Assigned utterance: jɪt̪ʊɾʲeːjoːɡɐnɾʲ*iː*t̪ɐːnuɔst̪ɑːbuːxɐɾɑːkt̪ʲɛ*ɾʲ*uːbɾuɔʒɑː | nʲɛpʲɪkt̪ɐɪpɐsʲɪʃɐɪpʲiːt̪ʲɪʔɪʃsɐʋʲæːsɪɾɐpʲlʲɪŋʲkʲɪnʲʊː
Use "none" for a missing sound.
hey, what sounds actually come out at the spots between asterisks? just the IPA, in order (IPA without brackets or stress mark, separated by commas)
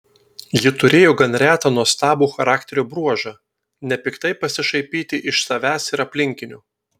æː, ɾʲ